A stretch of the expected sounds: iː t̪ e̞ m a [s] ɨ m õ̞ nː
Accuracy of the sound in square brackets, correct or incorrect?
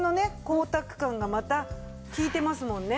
correct